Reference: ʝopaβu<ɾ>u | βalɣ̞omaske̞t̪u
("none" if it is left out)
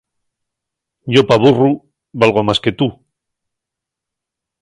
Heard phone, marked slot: r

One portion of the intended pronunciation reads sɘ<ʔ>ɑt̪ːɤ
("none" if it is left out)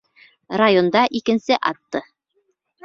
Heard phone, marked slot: ʔ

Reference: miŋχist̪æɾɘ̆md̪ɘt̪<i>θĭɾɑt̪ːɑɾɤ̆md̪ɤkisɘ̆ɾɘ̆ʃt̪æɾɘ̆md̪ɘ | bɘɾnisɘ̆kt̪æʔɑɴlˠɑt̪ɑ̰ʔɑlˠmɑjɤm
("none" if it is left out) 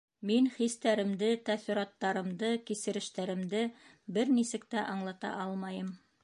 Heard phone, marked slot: æ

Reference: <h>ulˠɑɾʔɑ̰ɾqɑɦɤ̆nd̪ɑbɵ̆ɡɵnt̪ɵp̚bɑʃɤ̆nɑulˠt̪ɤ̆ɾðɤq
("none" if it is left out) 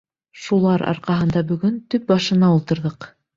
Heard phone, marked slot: ʃ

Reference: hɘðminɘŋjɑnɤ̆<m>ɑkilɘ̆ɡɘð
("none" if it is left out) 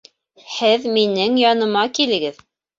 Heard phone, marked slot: m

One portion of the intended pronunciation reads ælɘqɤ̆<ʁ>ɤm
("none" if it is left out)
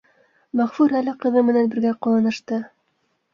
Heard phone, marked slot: ð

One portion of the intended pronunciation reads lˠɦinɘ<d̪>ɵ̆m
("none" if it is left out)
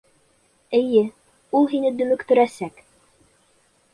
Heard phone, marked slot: d̪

